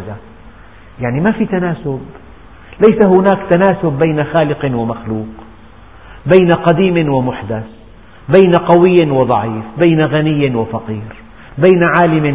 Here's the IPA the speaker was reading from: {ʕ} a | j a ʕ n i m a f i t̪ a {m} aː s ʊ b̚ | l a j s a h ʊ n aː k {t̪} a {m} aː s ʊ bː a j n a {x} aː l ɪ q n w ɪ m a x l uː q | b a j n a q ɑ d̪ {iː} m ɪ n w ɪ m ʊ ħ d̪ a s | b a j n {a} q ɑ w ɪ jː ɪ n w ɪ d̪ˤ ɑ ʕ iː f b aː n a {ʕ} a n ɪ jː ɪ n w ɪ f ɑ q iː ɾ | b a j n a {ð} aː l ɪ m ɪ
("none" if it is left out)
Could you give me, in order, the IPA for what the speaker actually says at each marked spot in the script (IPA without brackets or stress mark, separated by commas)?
z, n, t̪, n, x, iː, a, ɣ, ʕ